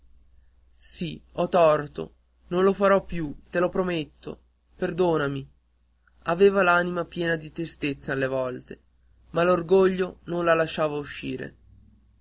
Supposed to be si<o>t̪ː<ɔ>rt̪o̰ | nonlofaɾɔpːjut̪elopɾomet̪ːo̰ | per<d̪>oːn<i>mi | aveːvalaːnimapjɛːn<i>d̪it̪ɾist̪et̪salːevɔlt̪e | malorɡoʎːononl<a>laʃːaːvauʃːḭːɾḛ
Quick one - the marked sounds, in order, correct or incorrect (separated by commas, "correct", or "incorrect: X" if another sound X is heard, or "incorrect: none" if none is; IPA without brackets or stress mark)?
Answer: incorrect: ɔ, correct, correct, incorrect: a, incorrect: a, correct